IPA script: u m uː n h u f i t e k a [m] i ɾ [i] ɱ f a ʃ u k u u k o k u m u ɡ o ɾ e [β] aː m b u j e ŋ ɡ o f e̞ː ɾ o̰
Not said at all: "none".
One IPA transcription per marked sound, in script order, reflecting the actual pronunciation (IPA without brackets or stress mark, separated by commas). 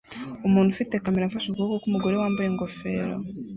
m, a, w